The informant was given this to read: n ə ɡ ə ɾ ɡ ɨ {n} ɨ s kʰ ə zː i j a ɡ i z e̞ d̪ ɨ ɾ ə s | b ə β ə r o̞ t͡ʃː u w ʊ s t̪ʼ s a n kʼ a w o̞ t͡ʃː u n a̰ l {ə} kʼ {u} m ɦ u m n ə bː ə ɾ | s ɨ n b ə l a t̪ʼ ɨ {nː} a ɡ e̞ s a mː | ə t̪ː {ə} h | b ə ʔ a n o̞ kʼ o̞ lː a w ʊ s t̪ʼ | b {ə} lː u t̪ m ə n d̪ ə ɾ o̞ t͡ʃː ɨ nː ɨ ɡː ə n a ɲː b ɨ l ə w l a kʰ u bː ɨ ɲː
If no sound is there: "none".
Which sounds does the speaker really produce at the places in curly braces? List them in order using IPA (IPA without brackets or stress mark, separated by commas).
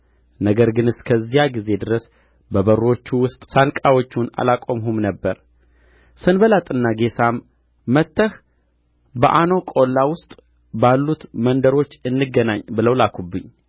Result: n, a, o, nː, ə, a